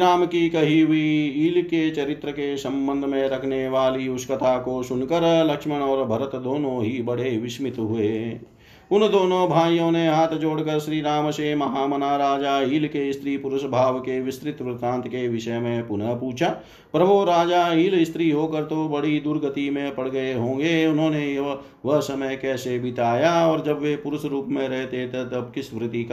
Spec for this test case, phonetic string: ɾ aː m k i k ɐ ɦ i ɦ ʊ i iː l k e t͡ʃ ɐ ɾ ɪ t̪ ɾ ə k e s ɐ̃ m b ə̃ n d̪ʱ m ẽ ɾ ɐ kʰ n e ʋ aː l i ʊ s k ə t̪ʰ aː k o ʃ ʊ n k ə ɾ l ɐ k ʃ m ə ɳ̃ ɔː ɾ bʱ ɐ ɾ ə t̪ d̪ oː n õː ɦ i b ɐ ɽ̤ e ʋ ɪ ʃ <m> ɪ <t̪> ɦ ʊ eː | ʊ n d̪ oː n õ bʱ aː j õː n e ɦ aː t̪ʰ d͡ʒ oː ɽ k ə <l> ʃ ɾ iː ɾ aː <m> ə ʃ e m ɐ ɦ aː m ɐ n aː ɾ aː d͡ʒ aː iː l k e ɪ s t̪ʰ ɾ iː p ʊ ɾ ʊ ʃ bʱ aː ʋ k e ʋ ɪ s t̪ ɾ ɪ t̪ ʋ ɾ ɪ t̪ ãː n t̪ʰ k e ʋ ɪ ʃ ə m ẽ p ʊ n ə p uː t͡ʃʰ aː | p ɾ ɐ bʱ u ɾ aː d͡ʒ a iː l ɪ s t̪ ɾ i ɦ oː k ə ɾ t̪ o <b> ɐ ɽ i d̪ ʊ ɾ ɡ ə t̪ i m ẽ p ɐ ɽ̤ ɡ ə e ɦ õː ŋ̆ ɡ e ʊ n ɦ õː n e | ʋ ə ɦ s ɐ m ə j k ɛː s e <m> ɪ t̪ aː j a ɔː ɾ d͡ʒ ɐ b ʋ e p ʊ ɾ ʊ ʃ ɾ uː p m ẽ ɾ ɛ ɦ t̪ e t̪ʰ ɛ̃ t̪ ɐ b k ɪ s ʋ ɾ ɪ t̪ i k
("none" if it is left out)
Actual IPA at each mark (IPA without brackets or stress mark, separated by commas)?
m, t̪, ɾ, m, b, b